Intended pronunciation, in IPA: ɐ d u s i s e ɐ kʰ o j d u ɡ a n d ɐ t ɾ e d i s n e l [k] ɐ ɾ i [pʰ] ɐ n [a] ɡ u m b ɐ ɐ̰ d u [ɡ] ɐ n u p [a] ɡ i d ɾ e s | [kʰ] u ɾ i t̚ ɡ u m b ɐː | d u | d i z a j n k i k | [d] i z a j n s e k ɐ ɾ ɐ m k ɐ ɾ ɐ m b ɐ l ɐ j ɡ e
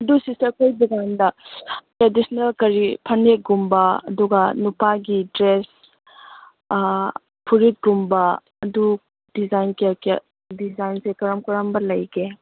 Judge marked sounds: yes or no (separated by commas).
yes, yes, no, yes, yes, no, yes